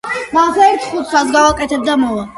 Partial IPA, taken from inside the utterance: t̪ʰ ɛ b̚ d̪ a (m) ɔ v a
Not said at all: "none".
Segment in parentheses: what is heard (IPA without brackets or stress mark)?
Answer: m